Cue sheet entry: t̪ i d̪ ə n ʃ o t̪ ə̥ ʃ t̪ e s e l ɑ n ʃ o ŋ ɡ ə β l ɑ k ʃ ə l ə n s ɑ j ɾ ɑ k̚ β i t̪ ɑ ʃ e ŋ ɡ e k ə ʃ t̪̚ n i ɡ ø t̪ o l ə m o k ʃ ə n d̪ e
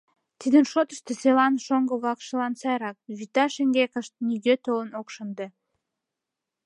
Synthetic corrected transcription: t̪ i d̪ ə n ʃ o t̪ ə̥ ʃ t̪ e s e l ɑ n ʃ o ŋ ɡ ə β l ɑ k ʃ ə l ɑ n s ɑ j ɾ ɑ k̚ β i t̪ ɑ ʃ e ŋ ɡ e k ə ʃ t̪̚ n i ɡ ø t̪ o l ə n o k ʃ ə n d̪ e